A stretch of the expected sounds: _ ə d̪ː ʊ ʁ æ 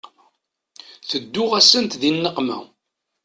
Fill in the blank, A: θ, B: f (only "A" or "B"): A